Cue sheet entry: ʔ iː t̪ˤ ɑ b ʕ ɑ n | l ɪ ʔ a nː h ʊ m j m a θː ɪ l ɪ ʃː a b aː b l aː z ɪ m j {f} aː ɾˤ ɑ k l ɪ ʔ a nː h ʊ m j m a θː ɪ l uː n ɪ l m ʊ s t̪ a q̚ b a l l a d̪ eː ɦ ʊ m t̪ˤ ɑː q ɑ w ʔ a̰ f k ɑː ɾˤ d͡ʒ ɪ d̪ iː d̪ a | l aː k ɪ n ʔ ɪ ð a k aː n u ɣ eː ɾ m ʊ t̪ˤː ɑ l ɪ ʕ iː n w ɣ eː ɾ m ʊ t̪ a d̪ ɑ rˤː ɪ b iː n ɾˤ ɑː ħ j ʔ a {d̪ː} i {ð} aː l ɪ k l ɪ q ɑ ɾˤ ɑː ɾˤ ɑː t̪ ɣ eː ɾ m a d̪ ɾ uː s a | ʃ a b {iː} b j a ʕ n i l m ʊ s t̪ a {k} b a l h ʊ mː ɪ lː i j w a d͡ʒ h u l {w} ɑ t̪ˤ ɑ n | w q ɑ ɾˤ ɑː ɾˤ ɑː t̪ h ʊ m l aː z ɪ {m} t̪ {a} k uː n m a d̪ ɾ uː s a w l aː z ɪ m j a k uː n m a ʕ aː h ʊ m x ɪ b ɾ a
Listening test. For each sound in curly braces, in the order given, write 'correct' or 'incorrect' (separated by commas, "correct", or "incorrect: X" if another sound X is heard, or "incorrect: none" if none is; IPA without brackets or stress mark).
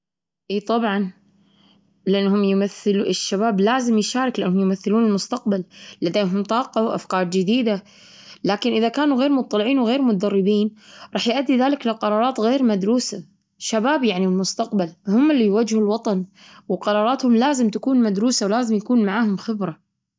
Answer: incorrect: ʃ, correct, correct, incorrect: aː, incorrect: q, correct, correct, correct